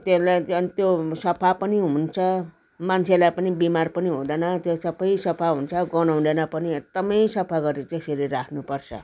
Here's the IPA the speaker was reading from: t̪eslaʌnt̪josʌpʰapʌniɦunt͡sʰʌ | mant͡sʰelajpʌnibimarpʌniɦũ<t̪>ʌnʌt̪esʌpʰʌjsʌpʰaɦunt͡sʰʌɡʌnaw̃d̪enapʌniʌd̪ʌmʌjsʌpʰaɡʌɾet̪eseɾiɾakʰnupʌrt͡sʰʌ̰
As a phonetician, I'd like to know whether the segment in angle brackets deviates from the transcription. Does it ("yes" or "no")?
yes